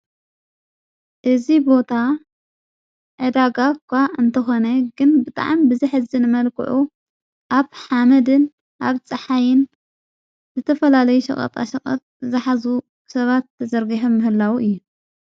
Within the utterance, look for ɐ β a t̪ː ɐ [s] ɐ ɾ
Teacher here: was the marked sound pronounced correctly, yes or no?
no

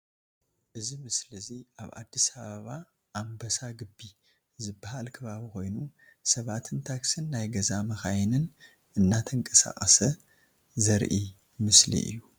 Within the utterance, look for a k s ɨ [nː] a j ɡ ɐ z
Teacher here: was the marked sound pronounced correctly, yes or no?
yes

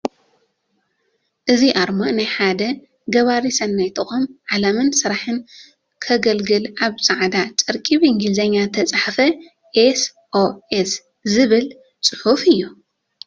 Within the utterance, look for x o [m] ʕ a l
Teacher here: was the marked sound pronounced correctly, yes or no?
yes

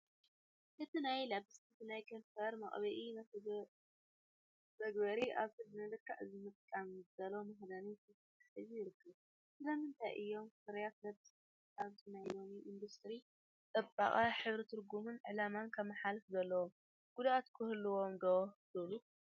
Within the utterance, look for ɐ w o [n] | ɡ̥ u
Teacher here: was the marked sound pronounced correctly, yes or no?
no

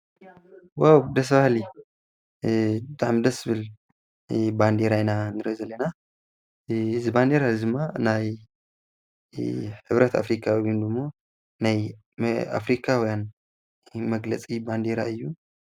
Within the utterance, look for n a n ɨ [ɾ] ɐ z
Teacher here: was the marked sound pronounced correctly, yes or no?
yes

